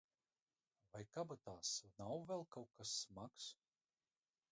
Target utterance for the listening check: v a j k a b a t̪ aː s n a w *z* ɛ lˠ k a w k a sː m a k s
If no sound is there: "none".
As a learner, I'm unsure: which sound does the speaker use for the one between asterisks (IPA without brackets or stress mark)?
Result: v